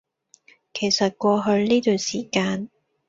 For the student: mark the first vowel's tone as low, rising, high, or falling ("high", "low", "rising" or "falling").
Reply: low